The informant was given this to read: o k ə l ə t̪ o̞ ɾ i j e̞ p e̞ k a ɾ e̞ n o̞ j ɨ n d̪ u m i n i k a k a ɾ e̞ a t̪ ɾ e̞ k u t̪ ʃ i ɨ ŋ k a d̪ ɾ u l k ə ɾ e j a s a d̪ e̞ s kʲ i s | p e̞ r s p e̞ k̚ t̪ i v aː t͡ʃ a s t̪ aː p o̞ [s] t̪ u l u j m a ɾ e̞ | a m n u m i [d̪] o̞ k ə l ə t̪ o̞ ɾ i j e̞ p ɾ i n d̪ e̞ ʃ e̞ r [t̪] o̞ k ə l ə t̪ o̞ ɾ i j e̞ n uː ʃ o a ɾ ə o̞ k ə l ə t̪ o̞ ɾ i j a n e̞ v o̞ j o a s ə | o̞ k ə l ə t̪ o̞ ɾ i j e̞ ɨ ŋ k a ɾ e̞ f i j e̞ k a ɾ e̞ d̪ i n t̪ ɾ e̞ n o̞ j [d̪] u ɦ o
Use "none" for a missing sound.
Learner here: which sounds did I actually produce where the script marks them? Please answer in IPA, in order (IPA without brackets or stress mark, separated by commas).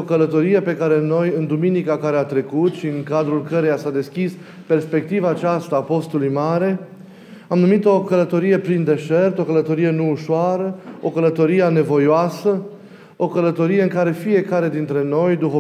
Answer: s, t̪, t̪, d̪